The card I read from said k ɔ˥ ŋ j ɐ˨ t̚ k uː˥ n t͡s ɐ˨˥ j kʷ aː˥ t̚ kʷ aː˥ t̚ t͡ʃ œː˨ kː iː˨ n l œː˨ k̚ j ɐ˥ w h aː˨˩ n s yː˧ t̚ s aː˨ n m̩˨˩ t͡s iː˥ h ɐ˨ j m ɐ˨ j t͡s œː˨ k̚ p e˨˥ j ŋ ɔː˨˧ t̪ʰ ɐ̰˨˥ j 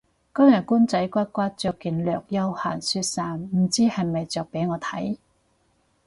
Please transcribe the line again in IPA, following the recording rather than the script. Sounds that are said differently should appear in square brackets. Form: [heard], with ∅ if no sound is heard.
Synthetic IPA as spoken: k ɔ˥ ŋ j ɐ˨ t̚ k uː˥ n t͡s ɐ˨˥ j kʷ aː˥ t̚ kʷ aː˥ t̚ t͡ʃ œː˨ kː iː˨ n l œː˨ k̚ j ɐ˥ w h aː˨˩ n s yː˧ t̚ s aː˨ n m̩˨˩ t͡s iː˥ h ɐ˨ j m ɐ˨ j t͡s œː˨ k̚ p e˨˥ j ŋ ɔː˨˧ t̪ʰ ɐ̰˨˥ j